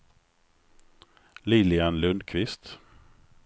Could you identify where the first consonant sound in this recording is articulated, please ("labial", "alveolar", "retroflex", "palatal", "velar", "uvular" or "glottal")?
alveolar